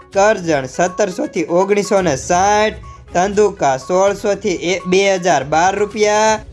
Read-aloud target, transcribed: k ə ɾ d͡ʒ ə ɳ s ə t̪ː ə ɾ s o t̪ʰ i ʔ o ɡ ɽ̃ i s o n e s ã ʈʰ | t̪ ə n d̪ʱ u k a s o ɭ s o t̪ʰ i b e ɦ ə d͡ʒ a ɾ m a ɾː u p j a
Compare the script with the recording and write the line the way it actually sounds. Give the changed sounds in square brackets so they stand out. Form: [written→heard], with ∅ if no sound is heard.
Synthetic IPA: k ə ɾ d͡ʒ ə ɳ s ə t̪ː ə ɾ s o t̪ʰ i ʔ o ɡ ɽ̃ i s o n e s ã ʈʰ | t̪ ə n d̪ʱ u k a s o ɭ s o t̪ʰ i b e ɦ ə d͡ʒ a ɾ [m→b] a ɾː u p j a